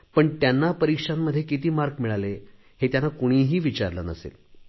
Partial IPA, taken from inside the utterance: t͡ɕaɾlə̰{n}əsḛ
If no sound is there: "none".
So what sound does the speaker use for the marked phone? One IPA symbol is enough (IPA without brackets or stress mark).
n